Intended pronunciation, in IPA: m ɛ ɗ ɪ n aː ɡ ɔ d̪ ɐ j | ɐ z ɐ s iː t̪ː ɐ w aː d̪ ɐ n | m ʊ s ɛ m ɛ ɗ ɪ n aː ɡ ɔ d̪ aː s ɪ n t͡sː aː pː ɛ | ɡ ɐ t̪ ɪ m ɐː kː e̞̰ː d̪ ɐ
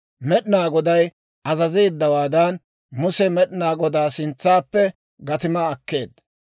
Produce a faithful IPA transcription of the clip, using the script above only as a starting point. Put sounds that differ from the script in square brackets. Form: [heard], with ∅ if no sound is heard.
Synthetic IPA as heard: m ɛ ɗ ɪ n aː ɡ ɔ d̪ ɐ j | ɐ z ɐ [z] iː [d̪ː] ɐ w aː d̪ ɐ n | m ʊ s ɛ m ɛ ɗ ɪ n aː ɡ ɔ d̪ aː s ɪ n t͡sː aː pː ɛ | ɡ ɐ t̪ ɪ m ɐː kː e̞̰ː d̪ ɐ